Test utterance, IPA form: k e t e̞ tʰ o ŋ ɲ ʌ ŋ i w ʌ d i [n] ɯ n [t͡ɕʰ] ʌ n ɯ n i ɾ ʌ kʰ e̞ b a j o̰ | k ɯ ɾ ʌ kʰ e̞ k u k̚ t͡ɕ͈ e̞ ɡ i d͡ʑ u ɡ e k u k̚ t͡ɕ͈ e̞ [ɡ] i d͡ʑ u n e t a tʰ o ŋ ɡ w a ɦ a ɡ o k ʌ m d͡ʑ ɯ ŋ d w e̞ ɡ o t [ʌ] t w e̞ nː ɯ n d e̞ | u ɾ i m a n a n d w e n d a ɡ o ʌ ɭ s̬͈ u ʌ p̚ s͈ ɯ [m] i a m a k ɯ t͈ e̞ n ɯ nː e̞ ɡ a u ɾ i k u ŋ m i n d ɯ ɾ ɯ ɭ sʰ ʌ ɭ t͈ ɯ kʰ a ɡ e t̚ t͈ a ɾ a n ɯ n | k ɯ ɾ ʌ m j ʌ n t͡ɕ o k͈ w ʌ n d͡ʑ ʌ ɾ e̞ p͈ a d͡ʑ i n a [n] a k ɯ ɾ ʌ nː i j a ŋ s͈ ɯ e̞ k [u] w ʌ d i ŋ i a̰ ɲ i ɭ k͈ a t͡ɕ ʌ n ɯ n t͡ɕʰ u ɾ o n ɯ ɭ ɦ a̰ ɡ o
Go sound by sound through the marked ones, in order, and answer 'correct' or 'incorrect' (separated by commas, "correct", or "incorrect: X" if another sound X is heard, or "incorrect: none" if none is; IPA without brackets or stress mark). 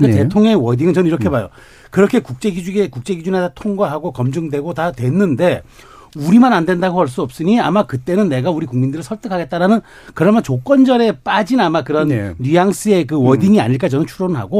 incorrect: ŋ, incorrect: t͡ɕ, correct, incorrect: a, incorrect: ɲ, incorrect: m, incorrect: ɯ